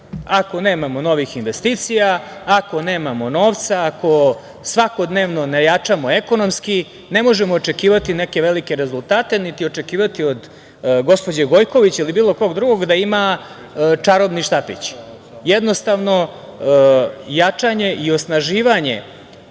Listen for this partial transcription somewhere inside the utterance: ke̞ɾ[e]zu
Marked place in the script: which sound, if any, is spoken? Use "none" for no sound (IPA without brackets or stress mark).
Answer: e